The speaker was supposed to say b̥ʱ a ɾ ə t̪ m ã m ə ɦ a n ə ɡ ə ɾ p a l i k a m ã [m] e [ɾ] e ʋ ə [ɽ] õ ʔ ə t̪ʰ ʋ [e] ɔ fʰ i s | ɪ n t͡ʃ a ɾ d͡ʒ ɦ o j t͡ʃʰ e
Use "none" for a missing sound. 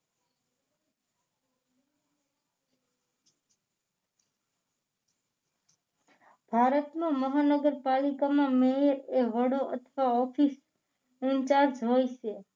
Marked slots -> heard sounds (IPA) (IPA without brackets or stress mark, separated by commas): m, ɾ, ɽ, a